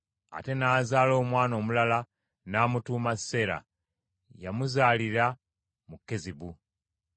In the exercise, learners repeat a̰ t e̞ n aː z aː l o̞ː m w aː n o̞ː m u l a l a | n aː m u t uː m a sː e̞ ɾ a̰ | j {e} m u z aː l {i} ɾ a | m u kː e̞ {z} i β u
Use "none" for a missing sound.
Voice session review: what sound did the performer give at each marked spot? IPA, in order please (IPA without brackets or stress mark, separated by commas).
a, i, z